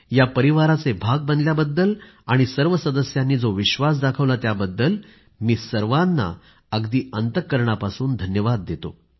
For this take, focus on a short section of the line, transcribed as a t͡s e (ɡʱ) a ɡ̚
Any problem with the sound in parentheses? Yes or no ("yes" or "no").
yes